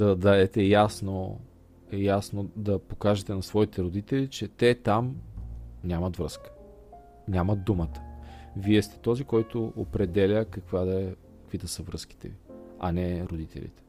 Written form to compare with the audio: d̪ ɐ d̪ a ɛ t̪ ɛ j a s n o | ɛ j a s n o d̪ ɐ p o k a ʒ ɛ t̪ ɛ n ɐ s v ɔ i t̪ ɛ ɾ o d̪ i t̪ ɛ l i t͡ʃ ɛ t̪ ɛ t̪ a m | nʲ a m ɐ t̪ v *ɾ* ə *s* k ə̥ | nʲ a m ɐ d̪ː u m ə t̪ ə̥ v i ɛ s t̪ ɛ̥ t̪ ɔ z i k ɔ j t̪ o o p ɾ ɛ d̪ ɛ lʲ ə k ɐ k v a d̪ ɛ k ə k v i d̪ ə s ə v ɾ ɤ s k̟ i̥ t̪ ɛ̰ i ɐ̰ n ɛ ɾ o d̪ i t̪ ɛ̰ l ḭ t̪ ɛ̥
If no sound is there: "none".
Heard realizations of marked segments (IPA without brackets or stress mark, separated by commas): ɾ, s